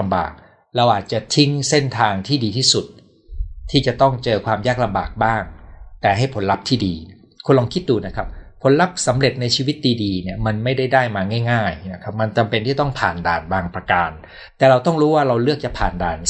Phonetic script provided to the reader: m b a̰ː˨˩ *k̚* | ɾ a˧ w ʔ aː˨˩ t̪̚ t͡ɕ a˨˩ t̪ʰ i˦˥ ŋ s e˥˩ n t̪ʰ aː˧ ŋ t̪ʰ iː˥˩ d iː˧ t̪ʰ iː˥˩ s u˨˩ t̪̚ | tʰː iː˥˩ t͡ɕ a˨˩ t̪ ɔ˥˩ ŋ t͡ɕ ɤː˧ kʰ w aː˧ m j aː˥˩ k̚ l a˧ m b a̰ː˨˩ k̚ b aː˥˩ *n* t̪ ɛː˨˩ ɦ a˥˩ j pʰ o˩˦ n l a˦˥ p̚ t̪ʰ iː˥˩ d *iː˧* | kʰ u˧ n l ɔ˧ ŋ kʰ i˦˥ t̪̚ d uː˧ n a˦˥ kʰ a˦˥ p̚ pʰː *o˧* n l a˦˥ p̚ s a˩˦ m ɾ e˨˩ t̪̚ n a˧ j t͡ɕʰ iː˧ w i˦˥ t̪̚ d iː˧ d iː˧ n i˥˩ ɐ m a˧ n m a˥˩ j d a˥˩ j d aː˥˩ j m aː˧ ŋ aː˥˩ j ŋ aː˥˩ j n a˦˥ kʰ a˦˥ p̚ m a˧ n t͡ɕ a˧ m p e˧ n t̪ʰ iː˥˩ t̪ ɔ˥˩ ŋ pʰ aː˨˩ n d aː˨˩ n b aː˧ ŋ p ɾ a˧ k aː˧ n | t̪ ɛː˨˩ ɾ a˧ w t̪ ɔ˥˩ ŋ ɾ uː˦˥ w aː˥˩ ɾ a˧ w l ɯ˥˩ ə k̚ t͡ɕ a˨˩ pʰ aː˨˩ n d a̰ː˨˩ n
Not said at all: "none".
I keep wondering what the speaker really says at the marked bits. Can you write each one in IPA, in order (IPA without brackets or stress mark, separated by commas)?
k̚, ŋ, iː˧, o˩˦